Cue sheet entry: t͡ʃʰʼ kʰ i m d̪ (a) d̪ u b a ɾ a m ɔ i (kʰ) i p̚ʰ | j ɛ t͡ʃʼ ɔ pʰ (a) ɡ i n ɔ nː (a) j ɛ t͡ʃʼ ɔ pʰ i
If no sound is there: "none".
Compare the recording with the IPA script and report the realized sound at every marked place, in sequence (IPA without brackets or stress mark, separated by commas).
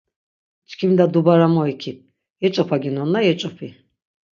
a, kʰ, a, a